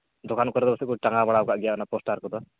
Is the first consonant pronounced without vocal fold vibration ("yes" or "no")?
no